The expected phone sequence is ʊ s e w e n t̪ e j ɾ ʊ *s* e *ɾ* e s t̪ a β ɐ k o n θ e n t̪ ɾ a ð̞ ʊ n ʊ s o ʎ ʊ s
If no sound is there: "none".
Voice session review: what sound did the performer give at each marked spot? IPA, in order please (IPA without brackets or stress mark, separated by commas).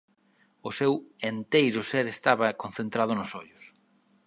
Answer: s, ɾ